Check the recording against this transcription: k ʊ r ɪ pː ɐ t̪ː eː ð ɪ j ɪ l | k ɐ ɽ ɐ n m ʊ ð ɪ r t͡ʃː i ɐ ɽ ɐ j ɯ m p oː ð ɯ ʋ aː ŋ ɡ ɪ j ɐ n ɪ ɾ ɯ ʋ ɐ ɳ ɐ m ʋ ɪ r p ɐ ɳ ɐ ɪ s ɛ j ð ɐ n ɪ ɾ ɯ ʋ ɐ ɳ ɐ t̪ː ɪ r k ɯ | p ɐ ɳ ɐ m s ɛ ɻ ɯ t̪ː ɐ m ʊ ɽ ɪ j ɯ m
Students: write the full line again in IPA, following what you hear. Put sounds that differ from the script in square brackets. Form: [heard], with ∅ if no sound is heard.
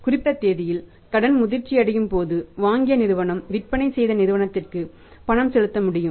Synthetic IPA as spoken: k ʊ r ɪ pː ɐ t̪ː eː ð ɪ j ɪ l | k ɐ ɽ ɐ n m ʊ ð ɪ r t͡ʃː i ɐ ɽ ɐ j ɯ m p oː ð ɯ ʋ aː ŋ ɡ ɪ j ɐ n ɪ ɾ ɯ ʋ ɐ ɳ ɐ m ʋ ɪ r p ɐ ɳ ɐ ɪ s ɛ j ð ɐ n ɪ ɾ ɯ ʋ ɐ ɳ ɐ t̪ː ɪ r k ɯ | p ɐ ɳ ɐ m s ɛ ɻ ɯ t̪ː ɐ m ʊ ɽ ɪ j ɯ m